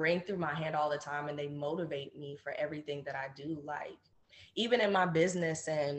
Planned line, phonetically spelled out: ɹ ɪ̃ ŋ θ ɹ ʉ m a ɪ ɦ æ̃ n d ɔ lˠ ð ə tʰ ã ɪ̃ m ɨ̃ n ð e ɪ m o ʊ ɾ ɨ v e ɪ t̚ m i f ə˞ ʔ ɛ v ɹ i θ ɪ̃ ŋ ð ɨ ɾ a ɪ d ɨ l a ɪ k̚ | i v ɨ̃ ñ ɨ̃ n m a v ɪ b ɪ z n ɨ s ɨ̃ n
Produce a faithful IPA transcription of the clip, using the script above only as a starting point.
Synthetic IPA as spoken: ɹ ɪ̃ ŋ θ ɹ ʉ m a ɪ ɦ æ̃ n d ɔ lˠ ð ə tʰ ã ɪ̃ m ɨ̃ n ð e ɪ m o ʊ ɾ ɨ v e ɪ t̚ m i f ə˞ ʔ ɛ v ɹ i θ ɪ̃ ŋ ð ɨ ɾ a ɪ d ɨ l a ɪ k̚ | i v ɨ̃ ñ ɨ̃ n m a ɪ b ɪ z n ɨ s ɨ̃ n